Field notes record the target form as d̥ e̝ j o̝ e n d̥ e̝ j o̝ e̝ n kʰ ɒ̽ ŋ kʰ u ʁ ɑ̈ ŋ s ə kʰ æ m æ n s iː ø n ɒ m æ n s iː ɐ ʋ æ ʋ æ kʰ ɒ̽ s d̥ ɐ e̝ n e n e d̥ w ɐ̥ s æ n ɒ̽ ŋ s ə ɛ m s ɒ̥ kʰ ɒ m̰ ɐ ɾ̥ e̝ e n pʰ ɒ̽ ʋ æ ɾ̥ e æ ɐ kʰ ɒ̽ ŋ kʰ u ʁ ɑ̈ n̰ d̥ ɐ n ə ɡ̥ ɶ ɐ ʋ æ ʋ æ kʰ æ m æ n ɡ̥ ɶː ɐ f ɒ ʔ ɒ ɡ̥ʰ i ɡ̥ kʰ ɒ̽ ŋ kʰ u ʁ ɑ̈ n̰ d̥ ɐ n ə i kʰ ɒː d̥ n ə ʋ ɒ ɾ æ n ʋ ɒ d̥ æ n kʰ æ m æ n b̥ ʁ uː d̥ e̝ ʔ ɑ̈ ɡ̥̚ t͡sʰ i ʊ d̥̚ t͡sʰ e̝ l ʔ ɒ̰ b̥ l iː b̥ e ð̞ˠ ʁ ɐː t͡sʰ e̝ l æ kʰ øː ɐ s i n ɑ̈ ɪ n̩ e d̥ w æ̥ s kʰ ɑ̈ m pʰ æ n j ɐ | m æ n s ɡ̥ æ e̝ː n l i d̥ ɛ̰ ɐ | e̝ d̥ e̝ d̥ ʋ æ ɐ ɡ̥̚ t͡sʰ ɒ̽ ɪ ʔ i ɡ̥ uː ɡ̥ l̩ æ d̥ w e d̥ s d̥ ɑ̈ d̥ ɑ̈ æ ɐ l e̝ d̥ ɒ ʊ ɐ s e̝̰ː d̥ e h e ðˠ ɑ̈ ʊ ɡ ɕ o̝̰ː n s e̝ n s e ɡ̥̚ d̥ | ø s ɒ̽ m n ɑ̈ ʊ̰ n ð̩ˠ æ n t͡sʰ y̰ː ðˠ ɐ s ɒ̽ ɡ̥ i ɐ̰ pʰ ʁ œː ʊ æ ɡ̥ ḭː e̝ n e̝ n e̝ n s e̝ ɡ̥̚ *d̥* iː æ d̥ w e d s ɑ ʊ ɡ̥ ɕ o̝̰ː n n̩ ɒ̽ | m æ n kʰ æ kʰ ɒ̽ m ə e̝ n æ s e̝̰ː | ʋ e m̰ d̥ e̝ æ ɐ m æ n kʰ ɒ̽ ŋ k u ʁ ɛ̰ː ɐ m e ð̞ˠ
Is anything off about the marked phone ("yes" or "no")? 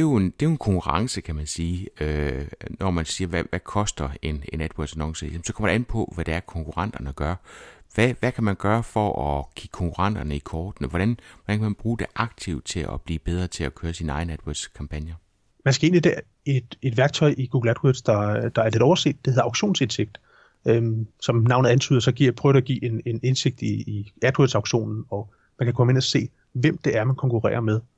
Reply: no